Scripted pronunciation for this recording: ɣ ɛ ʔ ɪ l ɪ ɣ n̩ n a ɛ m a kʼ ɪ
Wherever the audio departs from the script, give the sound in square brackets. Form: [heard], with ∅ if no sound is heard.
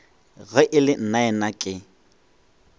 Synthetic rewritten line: ɣ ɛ ʔ ɪ l ɪ [∅] n̩ n a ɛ [n] a kʼ ɪ